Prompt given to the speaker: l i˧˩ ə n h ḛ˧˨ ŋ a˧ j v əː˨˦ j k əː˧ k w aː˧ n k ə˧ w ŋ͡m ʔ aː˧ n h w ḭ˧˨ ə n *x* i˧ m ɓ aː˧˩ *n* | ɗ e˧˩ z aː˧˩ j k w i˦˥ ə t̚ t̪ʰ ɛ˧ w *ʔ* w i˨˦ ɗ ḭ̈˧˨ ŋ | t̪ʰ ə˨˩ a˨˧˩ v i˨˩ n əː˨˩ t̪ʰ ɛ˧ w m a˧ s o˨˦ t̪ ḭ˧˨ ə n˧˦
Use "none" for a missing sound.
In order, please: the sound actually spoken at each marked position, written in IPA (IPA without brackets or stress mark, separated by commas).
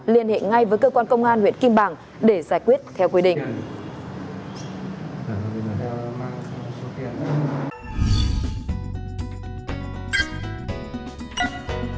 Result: k, ŋ, k